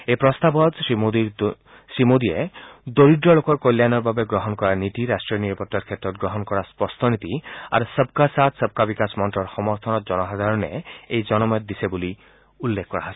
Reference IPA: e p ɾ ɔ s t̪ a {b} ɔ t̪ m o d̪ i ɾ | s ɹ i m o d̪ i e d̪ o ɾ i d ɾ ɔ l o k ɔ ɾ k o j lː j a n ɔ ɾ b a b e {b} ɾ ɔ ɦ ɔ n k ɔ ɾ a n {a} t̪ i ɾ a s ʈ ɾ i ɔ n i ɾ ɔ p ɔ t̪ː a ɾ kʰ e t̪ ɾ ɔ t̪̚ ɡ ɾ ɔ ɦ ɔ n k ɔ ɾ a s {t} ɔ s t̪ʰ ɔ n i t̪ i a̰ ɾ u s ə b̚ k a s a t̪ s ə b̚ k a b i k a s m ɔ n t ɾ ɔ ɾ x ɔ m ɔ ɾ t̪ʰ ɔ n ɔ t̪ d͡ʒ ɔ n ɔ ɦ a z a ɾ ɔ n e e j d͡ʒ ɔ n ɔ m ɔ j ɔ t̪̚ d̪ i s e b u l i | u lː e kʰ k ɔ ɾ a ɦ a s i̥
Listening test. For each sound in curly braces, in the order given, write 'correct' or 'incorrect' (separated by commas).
correct, incorrect, incorrect, incorrect